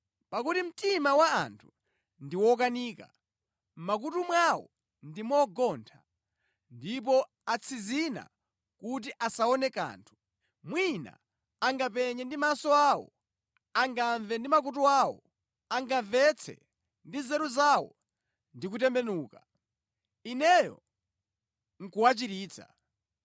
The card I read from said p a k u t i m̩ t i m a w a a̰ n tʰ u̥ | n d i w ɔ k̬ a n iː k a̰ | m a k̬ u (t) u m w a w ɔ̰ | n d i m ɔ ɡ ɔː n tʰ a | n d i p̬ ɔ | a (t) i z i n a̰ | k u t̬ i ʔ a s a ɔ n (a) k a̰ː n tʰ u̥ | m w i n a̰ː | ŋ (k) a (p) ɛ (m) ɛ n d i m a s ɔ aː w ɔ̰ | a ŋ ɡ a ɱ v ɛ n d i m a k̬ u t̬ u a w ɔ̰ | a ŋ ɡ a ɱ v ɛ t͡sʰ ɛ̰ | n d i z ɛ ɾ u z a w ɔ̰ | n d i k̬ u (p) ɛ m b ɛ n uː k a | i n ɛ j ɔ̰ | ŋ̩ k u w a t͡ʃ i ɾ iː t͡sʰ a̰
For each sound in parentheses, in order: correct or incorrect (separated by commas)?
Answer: correct, incorrect, incorrect, incorrect, correct, incorrect, incorrect